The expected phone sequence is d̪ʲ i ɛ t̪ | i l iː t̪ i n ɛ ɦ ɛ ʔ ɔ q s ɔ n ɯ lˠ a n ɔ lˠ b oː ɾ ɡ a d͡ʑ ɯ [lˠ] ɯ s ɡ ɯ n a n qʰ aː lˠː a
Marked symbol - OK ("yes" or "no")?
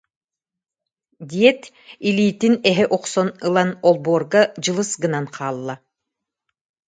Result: yes